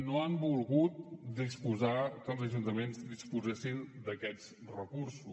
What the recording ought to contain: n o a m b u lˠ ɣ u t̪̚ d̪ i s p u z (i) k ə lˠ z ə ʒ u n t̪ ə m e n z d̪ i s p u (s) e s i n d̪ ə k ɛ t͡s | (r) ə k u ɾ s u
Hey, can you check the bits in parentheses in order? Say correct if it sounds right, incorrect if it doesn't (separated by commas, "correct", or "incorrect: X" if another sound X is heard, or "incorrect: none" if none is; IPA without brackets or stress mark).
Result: incorrect: a, incorrect: z, correct